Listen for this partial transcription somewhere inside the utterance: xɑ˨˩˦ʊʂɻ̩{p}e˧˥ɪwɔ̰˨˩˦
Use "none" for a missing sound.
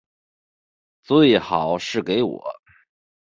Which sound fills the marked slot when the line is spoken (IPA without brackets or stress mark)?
k